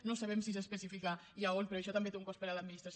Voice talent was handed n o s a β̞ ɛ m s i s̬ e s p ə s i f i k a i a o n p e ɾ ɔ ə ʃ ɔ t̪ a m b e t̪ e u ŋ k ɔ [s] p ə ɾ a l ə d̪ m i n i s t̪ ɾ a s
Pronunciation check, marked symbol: correct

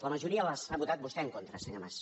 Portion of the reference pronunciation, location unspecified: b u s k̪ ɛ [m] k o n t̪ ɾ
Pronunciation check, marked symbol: incorrect: ŋ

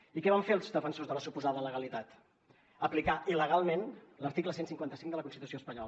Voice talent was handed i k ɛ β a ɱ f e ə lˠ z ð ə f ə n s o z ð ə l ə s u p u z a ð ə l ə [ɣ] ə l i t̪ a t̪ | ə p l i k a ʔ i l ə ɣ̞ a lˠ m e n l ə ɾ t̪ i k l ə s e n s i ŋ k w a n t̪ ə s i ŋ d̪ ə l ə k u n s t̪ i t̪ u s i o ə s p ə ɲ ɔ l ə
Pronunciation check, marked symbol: correct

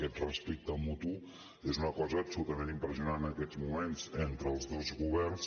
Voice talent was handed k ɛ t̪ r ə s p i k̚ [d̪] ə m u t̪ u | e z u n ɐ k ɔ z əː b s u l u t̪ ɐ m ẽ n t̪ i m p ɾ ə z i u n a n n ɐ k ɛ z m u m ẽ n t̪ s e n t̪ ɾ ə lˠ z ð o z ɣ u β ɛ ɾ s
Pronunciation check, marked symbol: incorrect: t̪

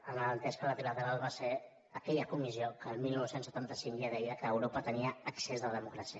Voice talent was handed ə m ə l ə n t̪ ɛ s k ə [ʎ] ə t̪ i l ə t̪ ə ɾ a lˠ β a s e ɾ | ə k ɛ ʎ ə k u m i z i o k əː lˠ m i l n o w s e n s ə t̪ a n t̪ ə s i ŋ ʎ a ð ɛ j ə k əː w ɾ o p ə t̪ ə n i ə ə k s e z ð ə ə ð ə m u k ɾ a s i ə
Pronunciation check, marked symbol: incorrect: l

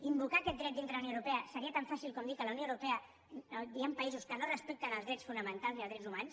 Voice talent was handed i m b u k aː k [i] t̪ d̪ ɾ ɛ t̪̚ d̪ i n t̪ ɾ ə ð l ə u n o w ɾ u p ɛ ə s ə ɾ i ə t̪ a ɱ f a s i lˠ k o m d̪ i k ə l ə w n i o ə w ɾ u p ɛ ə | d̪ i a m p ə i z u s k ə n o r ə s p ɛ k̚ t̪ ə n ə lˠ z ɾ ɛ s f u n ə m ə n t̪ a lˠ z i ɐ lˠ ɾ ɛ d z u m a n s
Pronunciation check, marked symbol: incorrect: ɛ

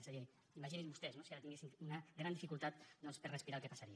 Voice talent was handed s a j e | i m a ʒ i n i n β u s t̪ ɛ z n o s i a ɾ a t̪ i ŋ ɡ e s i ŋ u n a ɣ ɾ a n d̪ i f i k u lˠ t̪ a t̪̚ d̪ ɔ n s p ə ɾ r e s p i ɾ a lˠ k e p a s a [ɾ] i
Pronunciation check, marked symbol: correct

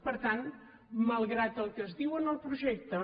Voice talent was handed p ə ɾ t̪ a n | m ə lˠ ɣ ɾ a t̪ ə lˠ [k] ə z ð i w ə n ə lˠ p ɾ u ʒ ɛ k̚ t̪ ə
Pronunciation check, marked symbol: correct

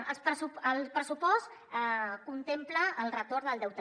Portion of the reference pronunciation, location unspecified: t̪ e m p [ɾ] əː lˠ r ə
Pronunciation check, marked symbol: incorrect: l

